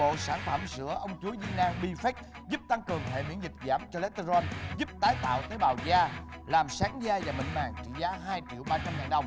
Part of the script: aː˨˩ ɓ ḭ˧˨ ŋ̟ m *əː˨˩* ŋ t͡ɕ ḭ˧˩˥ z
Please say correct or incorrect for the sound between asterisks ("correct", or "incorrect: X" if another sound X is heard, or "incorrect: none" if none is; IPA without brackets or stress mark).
incorrect: aː˨˩